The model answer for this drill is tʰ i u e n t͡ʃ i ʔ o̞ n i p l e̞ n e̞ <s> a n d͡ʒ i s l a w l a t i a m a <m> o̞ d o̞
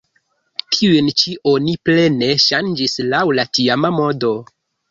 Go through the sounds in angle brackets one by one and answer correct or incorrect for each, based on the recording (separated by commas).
incorrect, correct